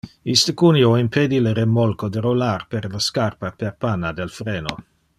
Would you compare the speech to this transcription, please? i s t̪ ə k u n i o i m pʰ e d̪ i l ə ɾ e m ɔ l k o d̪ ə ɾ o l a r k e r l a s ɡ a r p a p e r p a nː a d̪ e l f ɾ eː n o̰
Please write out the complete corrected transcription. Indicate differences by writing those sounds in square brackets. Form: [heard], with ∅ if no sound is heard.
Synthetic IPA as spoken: i s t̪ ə k u n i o i m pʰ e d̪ i l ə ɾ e m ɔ l k o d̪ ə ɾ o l a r [p] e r l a s [k] a r p a p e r p a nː a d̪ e l f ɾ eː n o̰